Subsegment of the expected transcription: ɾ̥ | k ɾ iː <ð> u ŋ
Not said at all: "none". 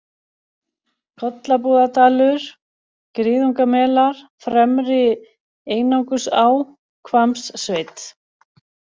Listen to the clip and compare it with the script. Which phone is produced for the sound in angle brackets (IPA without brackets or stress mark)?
ð